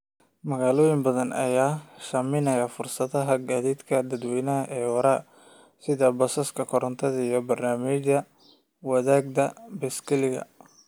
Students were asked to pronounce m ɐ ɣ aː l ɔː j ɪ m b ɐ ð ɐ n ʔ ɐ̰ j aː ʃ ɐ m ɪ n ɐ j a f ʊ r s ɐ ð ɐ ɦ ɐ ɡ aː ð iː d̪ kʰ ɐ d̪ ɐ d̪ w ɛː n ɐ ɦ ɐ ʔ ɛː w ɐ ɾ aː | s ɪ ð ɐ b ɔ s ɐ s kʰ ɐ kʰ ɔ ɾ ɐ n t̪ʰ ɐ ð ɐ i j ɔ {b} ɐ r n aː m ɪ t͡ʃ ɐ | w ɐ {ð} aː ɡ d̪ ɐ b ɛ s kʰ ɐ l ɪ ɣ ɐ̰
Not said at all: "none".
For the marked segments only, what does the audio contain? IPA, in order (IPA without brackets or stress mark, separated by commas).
b, ð